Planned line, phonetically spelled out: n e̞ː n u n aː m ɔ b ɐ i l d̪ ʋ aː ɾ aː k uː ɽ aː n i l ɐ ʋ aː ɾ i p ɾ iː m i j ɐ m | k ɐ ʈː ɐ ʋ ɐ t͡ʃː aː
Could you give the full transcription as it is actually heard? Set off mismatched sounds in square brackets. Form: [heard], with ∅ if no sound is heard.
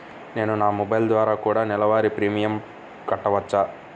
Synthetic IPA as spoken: n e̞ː n u n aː m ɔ b ɐ [j] l d̪ ʋ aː ɾ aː k uː ɽ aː n [ɛ] l ɐ ʋ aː ɾ i p ɾ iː m i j ɐ m | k ɐ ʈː ɐ ʋ ɐ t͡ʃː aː